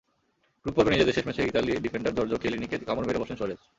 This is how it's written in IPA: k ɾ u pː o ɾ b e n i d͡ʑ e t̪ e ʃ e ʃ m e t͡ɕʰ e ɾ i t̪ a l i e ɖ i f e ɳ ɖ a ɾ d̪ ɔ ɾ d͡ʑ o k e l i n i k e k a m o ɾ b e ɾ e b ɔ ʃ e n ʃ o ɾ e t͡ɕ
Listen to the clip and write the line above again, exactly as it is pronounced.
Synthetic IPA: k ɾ u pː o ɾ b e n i d͡ʑ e d̪ e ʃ e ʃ m e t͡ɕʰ e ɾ i t̪ a l i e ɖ i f e ɳ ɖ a ɾ d̪ ɔ ɾ d͡ʑ o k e l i n i k e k a m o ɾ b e ɾ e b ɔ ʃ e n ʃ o ɾ e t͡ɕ